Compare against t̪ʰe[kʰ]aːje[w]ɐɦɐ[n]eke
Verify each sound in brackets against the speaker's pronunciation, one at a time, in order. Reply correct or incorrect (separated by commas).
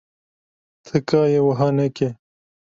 incorrect, correct, correct